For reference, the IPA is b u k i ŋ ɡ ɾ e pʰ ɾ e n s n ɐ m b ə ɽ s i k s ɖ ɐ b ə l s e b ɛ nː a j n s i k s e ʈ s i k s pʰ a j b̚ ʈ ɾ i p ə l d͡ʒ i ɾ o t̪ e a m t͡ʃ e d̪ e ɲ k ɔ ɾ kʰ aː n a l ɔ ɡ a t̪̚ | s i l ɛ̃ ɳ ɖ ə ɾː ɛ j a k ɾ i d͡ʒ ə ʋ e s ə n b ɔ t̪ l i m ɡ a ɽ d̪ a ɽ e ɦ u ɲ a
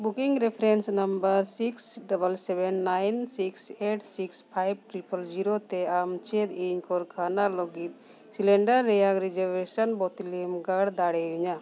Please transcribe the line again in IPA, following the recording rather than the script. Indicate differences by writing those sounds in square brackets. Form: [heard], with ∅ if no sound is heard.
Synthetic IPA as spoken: b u k i ŋ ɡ ɾ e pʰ ɾ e n s n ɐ m b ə [ɾ] s i k s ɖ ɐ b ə l s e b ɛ nː a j n s i k s e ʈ s i k s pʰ a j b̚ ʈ ɾ i p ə l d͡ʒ i ɾ o t̪ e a m t͡ʃ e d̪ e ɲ k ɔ ɾ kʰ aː n a l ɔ ɡ [i] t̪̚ | s i l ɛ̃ ɳ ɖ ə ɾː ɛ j a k ɾ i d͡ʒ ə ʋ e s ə n b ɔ t̪ l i m ɡ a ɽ d̪ a ɽ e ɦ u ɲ a